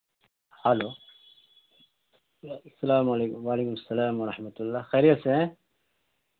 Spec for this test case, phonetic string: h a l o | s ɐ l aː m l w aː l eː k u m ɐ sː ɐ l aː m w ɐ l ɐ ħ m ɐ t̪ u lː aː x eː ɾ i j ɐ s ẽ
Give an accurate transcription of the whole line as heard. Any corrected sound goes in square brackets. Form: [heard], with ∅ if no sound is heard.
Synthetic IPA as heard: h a l o | s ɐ l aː m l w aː l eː k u m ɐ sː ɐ l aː m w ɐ [ɾ] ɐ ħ m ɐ t̪ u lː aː x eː ɾ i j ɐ s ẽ

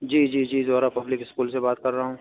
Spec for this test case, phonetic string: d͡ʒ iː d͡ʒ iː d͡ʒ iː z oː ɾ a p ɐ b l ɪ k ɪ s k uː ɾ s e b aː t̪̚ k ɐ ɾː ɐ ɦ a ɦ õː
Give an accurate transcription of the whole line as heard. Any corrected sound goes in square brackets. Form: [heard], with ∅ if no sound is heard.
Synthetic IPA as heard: d͡ʒ iː d͡ʒ iː d͡ʒ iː z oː ɾ a p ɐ b l ɪ k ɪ s k uː [l] s e b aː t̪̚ k ɐ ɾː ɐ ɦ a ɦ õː

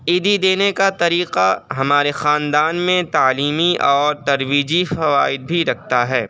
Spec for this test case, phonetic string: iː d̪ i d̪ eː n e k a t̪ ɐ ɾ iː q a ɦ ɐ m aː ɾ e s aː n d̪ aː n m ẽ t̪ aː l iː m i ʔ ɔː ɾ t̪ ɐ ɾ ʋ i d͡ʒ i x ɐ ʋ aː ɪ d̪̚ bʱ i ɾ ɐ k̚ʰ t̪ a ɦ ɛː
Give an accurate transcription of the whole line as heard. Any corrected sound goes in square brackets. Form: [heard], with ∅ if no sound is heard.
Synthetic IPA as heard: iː d̪ i d̪ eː n e k a t̪ ɐ ɾ iː q a ɦ ɐ m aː ɾ e [x] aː n d̪ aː n m ẽ t̪ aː l iː m i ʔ ɔː ɾ t̪ ɐ ɾ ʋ [iː] d͡ʒ i [f] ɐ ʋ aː ɪ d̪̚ bʱ i ɾ ɐ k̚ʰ t̪ a ɦ ɛː

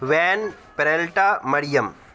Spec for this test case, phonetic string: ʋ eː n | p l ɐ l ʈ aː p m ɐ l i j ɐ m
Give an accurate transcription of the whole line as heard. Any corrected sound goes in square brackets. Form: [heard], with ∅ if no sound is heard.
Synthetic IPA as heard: ʋ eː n | p [ɾ] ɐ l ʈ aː [∅] m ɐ [ɽ] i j ɐ m

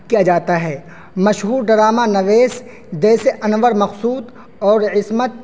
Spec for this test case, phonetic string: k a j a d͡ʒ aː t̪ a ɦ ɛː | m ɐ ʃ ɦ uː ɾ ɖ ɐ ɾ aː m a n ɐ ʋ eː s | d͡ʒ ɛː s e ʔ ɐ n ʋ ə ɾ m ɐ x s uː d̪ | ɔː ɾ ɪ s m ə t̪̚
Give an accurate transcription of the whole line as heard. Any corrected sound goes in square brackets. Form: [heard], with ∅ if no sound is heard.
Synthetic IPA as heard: k [i] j a d͡ʒ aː t̪ a ɦ ɛː | m ɐ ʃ ɦ uː ɾ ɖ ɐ ɾ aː m a n ɐ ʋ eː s | d͡ʒ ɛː s e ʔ ɐ n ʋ ə ɾ m ɐ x s uː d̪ | ɔː ɾ ɪ s m ə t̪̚

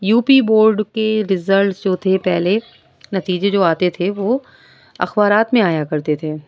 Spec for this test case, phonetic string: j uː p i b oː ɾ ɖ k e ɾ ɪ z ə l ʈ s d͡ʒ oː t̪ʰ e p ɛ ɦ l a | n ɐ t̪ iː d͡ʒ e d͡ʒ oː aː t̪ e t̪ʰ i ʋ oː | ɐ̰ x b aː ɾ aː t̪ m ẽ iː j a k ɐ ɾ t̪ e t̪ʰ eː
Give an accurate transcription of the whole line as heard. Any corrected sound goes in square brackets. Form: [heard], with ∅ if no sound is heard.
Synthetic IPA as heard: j uː p i b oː ɾ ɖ k e ɾ ɪ z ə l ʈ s d͡ʒ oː t̪ʰ e p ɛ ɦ l [e] | n ɐ t̪ iː d͡ʒ e d͡ʒ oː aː t̪ e t̪ʰ [e] ʋ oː | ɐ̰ x b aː ɾ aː t̪ m ẽ [aː] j a k ɐ ɾ t̪ e t̪ʰ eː

